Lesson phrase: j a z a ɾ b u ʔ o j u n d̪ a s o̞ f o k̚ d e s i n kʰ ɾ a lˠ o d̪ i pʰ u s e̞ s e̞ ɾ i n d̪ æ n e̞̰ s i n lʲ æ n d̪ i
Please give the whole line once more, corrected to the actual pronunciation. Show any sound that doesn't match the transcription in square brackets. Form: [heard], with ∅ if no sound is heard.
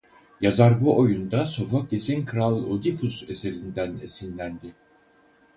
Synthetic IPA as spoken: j a z a ɾ b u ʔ o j u n d̪ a s o̞ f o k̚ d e s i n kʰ ɾ a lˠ o d̪ i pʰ u s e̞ s e̞ ɾ i n d̪ æ n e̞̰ s i n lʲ æ n d̪ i